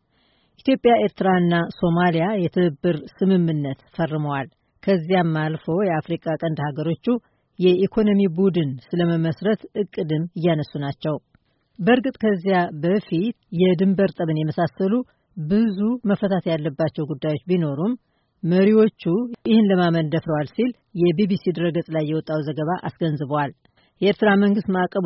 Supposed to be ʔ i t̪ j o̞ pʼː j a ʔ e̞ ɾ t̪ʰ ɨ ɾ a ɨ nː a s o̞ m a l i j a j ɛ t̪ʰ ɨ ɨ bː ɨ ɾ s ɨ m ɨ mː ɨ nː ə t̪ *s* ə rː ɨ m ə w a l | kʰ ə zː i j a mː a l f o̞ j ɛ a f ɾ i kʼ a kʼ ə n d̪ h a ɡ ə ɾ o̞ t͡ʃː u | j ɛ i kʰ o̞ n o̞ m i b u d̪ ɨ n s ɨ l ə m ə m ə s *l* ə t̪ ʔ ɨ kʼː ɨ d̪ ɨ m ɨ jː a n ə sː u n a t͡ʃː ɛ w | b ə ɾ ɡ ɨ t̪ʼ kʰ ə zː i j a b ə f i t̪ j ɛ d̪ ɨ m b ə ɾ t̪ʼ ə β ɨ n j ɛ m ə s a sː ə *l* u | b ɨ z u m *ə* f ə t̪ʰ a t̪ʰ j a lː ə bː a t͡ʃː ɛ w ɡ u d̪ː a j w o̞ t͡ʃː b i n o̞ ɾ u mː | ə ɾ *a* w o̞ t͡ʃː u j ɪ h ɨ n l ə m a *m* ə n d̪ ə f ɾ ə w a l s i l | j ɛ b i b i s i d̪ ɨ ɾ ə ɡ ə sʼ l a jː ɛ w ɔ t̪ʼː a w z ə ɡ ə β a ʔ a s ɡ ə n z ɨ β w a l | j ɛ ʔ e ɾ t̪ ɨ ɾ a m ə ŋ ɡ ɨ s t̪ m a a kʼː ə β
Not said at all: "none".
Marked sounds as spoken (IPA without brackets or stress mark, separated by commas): f, ɾ, l, ə, i, m